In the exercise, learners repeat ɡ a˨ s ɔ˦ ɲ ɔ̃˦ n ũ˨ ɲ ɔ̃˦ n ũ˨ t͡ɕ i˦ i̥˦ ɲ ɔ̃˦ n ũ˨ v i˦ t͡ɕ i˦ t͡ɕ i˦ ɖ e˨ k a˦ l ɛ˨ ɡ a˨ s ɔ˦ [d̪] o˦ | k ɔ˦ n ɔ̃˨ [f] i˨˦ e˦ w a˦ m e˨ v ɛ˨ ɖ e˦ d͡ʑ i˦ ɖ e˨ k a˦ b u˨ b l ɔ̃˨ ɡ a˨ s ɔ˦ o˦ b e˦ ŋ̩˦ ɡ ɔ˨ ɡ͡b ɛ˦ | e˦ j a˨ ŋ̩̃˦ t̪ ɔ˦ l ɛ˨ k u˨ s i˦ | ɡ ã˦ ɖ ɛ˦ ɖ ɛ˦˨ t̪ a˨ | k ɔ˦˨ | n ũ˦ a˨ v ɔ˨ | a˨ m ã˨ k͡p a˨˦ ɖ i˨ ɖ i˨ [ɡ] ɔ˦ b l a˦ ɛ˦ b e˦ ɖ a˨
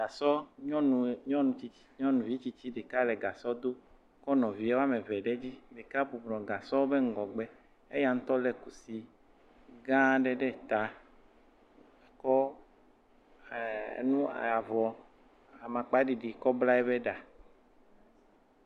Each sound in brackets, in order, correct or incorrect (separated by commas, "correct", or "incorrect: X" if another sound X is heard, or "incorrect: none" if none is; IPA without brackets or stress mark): correct, incorrect: v, incorrect: k